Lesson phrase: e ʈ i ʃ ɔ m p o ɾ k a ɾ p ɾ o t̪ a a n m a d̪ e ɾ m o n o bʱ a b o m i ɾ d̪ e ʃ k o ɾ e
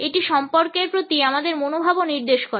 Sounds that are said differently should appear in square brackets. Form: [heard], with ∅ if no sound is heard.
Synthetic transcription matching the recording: e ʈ i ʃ ɔ m p o ɾ k [e] ɾ p ɾ o t̪ [i] a [∅] m a d̪ e ɾ m o n o bʱ a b o [n] i ɾ d̪ e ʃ k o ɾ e